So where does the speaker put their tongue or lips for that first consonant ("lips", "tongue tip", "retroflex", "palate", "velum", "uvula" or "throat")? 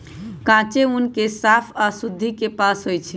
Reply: velum